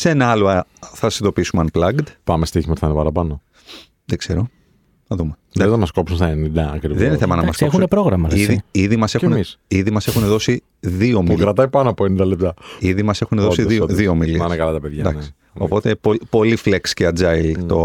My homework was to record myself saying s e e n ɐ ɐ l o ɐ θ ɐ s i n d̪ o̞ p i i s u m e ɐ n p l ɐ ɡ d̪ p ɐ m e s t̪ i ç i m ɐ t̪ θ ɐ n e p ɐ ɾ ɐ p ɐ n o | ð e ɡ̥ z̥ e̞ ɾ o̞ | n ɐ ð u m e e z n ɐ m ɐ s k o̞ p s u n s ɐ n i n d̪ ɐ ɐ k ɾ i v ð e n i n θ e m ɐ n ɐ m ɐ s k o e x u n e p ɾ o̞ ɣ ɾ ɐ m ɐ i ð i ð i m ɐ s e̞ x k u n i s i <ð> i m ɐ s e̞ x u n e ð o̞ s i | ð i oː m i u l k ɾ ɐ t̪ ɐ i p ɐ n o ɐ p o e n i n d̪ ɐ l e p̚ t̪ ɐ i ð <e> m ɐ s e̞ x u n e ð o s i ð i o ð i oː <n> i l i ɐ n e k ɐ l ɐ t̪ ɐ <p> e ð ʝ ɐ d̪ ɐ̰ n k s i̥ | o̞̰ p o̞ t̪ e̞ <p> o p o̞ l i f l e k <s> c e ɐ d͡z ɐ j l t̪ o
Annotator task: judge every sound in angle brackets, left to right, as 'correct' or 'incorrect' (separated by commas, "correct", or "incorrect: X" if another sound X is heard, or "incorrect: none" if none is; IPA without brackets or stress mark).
correct, incorrect: i, incorrect: m, correct, correct, correct